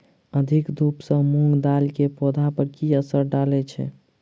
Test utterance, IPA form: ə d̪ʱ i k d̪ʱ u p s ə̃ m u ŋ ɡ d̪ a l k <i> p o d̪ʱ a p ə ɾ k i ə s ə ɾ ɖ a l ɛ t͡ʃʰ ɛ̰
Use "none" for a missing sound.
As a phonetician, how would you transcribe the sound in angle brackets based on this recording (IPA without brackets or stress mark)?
e